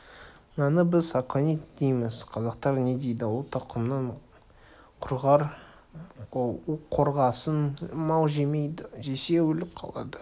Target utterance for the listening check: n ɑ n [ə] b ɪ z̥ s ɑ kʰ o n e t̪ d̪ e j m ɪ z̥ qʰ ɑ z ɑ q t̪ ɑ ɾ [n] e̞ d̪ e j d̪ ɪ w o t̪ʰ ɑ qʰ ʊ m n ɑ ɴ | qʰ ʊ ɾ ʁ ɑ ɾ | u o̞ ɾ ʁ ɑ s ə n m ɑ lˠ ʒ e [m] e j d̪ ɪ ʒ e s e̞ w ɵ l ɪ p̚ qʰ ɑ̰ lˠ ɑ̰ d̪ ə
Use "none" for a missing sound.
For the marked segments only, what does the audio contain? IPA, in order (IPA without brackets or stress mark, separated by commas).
ə, n, m